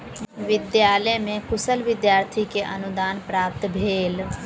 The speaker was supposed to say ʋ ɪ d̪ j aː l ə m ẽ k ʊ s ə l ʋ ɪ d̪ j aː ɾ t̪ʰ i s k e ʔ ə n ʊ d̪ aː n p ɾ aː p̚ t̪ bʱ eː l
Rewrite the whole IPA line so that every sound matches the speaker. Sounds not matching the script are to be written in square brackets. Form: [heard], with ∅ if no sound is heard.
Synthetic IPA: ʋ ɪ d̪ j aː l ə m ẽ k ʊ s ə l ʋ ɪ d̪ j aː ɾ t̪ʰ i [∅] k e ʔ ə n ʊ d̪ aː n p ɾ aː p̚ t̪ bʱ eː l